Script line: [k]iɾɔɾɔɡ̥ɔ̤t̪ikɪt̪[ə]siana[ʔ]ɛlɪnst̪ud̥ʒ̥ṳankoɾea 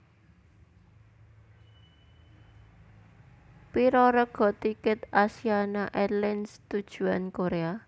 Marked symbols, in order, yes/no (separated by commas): no, no, yes